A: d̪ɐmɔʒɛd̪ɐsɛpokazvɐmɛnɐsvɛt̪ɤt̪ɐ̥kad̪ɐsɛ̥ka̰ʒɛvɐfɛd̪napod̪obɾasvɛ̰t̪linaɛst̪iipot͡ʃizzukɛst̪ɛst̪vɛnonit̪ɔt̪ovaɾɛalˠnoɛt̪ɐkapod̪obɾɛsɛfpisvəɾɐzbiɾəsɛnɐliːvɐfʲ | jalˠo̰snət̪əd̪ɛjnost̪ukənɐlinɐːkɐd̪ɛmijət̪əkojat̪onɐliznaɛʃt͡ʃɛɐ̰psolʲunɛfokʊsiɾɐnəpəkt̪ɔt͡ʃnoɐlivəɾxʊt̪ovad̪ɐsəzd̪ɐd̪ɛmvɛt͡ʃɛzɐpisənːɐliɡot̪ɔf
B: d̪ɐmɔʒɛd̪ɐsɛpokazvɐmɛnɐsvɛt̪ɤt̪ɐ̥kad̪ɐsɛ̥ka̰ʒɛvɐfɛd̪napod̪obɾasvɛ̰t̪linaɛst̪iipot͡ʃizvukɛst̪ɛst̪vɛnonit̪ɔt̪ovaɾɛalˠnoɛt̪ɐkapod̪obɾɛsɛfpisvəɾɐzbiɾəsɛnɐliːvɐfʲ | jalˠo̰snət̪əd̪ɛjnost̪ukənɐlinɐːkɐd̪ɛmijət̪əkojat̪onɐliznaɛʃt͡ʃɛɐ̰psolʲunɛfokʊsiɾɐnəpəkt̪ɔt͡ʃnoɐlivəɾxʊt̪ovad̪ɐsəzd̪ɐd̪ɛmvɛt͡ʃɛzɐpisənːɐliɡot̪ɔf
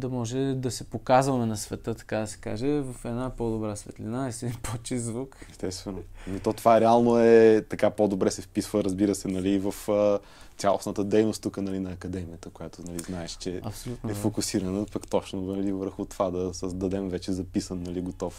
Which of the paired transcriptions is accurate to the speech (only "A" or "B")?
B